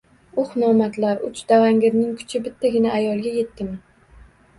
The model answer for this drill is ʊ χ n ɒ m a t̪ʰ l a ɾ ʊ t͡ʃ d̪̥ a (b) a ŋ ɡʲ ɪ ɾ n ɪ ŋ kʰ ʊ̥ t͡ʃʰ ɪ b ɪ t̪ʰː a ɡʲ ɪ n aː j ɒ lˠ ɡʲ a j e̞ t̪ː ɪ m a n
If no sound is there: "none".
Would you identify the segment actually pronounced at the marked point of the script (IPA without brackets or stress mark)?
v